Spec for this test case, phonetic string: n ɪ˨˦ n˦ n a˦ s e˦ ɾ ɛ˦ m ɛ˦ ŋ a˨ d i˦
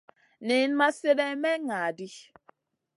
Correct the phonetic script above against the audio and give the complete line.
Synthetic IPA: n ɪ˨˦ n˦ m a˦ s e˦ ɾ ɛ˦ m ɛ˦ ŋ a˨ d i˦